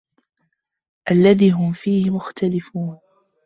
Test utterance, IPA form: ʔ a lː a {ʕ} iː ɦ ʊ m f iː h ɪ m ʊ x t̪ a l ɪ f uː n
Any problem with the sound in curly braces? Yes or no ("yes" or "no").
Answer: yes